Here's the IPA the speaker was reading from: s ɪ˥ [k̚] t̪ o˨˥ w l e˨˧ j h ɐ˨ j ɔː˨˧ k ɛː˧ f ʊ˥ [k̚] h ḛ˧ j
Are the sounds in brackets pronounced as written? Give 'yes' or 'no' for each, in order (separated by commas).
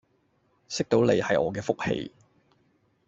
yes, yes